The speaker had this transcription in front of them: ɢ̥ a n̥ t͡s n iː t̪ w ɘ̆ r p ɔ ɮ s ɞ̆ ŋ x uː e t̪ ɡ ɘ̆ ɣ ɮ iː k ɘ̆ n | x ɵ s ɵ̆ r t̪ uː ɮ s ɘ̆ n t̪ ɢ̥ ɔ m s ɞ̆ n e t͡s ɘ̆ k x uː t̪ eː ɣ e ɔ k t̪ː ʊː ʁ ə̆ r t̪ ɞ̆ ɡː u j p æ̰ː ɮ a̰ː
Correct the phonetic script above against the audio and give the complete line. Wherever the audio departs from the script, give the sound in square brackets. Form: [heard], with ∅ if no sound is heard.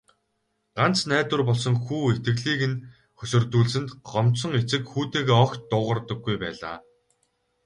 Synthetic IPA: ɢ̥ a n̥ t͡s n [æː] t̪ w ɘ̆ r p ɔ ɮ s ɞ̆ ŋ x uː e t̪ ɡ ɘ̆ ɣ ɮ iː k ɘ̆ n | x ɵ s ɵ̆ r t̪ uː ɮ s ɘ̆ n t̪ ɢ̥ ɔ m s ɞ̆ [ŋ] e t͡s ɘ̆ k x uː t̪ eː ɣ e ɔ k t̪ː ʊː ʁ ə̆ r t̪ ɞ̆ ɡː u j p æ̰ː ɮ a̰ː